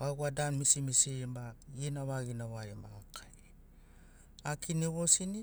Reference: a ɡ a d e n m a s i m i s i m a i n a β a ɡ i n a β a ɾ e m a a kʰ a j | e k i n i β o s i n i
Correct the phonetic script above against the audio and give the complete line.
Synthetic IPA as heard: a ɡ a d a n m i s i m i s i m a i n a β a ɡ i n a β a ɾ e m a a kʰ a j | a k i n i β o s i n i